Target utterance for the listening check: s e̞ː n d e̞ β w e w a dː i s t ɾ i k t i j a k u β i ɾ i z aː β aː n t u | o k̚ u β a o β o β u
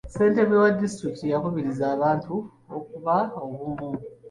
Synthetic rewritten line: s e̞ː n t e̞ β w e w a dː i s t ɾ i k t i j a k u β i ɾ i z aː β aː n t u | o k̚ u β a o β u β u